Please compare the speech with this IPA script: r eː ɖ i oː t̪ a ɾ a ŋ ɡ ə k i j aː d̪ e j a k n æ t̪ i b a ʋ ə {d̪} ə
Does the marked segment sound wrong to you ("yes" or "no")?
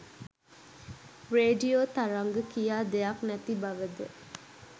no